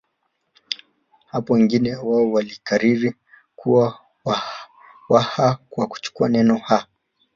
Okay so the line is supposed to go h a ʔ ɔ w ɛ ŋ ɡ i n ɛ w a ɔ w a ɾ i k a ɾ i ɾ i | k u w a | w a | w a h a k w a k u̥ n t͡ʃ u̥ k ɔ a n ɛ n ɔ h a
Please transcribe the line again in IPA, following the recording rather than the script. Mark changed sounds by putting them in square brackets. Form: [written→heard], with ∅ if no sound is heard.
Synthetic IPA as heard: h a [ʔ→p] ɔ w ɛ ŋ ɡ i n ɛ w a ɔ w a [ɾ→l] i k a ɾ i ɾ i | k u w a | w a | w a h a k w a k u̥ [n→∅] t͡ʃ u̥ k [ɔ→u] a n ɛ n ɔ h a